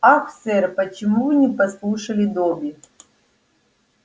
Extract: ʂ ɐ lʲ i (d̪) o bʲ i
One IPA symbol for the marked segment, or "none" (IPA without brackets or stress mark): d̪